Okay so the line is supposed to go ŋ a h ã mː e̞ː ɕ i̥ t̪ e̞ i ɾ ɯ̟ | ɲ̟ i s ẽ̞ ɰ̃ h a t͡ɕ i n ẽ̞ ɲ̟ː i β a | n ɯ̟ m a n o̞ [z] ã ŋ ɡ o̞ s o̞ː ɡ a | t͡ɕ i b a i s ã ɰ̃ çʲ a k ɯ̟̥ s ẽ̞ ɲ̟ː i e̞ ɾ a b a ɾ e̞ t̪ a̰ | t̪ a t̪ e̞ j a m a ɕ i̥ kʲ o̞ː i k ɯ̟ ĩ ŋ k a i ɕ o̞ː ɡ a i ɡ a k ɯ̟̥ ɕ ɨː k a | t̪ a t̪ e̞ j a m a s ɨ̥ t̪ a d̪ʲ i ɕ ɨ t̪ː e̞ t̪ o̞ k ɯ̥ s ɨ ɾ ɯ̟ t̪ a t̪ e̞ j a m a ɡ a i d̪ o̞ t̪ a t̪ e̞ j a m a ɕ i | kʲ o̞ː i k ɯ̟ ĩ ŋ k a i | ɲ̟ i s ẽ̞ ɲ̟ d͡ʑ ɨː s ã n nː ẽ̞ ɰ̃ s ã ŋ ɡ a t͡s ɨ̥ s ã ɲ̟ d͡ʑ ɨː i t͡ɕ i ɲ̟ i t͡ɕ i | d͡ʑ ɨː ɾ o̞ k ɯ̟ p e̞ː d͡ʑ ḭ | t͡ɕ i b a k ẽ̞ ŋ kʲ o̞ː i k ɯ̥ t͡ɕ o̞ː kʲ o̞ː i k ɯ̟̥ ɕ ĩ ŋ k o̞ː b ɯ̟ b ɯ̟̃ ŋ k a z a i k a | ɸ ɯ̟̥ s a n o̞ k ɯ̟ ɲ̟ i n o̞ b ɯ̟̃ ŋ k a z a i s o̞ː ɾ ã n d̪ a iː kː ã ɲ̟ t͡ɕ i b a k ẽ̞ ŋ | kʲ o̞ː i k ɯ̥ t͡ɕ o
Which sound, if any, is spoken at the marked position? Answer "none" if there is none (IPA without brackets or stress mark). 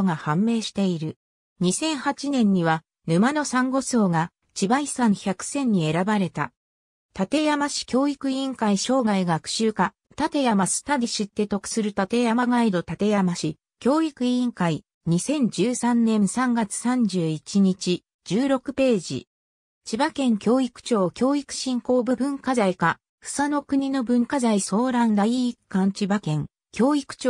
s